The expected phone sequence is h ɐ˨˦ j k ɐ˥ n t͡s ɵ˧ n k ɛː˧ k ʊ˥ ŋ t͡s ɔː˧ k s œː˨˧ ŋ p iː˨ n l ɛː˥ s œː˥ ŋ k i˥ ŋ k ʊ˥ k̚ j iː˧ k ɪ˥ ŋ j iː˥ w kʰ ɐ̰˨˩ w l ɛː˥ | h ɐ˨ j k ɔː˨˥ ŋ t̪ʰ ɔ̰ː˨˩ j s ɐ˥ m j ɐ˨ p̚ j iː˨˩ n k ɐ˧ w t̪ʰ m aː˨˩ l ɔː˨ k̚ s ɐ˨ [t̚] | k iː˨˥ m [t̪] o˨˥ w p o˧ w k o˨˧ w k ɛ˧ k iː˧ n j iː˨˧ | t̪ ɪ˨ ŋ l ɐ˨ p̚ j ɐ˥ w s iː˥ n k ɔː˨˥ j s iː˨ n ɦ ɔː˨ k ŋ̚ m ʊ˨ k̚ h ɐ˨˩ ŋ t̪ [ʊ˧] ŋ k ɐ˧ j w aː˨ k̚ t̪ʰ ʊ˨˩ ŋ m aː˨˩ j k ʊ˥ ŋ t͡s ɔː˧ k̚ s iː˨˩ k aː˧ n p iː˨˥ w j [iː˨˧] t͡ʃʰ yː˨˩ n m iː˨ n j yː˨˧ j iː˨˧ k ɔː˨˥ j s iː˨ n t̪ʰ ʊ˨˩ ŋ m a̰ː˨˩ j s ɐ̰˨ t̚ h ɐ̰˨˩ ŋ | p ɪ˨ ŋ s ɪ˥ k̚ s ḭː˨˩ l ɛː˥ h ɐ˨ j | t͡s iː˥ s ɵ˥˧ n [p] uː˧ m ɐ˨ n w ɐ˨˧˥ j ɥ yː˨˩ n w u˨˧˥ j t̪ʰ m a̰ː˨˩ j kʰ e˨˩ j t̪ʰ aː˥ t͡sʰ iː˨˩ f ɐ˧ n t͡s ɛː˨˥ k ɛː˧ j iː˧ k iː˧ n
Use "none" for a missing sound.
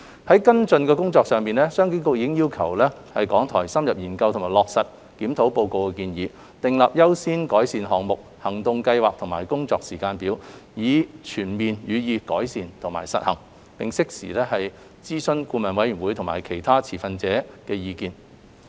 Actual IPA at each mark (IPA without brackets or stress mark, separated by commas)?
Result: t̚, t̪ʰ, ʊ˧, iː˨˧, k